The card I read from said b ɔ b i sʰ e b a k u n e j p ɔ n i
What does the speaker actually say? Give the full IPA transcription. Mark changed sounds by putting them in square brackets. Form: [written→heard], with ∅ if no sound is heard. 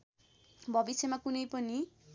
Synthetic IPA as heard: b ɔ b i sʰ e [b→m] a k u n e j p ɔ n i